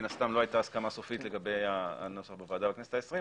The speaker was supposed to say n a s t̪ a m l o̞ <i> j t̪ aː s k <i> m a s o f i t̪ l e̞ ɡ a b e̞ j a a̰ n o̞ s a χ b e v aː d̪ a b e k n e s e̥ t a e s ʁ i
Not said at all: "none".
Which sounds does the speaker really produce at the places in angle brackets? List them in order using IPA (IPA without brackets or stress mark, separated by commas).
a, a